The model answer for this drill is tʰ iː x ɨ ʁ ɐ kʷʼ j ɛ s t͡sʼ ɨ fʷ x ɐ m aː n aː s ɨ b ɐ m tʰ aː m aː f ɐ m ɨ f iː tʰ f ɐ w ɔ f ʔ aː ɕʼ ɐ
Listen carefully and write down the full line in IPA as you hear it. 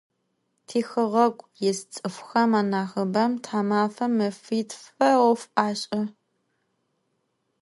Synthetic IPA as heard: tʰ iː x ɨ ʁ ɐ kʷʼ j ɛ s t͡sʼ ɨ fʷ x ɐ m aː n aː x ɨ b ɐ m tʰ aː m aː f ɐ m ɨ f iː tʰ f ɐ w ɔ f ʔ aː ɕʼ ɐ